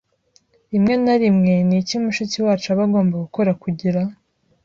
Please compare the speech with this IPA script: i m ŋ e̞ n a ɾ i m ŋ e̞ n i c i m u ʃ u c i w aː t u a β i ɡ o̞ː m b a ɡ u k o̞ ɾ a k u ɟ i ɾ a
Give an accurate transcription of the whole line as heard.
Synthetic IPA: i m ŋ e̞ n a ɾ i m ŋ e̞ n i c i m u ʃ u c i w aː t͡ʃ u a β a ɡ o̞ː m b a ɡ u k o̞ ɾ a k u ɟ i ɾ a